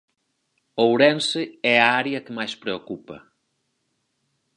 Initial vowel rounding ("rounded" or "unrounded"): rounded